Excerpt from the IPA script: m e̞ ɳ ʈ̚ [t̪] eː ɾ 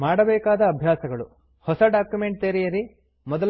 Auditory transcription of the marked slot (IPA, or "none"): t̪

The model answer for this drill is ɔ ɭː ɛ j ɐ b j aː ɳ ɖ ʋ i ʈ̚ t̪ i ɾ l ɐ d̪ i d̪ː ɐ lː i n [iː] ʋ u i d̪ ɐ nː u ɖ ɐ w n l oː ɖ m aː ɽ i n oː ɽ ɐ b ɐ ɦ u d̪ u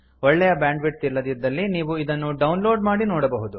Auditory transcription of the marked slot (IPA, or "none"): iː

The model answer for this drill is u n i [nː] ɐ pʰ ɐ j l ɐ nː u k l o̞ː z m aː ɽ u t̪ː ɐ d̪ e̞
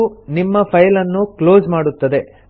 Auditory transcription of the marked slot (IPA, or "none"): mː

